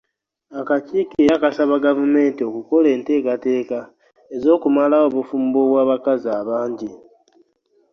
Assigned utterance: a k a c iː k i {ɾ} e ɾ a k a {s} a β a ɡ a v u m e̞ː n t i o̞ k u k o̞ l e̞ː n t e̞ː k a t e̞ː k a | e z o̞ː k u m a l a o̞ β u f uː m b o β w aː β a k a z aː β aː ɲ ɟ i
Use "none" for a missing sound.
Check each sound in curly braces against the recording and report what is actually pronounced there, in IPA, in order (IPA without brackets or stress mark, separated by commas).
none, s